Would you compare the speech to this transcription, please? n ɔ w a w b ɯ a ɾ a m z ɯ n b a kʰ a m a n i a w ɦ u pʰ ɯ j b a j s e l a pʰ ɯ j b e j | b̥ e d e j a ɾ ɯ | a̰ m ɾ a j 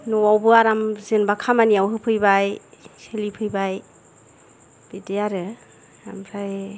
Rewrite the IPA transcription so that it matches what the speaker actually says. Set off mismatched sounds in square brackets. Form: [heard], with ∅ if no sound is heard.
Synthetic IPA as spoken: n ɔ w a w b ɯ a ɾ a m z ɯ n b a kʰ a m a n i a w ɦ [ɯ] pʰ ɯ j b a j s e l [i] pʰ ɯ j b [a] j | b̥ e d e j a ɾ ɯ | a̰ m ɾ a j